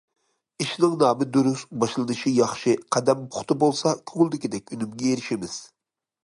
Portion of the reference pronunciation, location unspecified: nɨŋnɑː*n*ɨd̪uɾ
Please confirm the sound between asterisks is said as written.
no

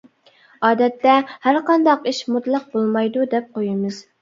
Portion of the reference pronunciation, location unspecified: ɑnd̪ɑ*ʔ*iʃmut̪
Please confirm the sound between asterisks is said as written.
no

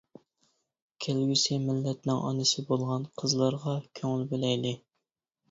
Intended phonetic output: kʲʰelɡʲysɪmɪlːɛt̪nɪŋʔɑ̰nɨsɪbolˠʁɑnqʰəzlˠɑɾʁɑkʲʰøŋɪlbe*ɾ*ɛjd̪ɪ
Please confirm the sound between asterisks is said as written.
no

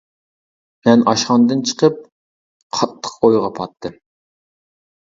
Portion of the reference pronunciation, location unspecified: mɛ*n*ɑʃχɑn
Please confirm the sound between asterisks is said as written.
yes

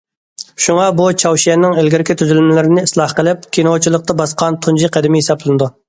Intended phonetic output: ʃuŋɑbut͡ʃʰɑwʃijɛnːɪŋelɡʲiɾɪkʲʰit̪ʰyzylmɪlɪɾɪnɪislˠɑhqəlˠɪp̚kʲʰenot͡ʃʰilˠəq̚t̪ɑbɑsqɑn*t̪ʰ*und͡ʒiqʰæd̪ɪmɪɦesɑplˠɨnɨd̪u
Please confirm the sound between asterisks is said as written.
yes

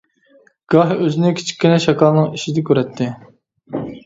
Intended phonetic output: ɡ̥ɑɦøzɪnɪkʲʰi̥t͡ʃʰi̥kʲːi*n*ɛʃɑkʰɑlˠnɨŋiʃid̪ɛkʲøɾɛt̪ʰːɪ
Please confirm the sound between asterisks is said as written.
yes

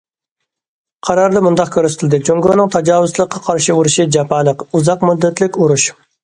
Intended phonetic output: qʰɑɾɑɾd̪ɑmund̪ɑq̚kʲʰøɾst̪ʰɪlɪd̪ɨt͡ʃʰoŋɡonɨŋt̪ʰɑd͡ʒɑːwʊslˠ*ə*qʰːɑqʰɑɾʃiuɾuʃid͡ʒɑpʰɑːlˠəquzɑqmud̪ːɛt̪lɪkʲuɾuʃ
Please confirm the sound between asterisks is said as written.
yes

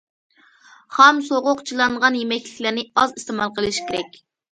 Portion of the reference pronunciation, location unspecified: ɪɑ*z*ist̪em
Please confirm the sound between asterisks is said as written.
yes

